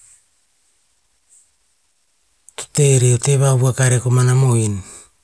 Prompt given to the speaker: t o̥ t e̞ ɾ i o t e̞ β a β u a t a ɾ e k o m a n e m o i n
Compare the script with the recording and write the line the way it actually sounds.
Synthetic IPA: t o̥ t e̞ ɾ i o t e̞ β a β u a k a ɾ e k o m a n a m o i n